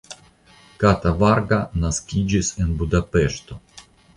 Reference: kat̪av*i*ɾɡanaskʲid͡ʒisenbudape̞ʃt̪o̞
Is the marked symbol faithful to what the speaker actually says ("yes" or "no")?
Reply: no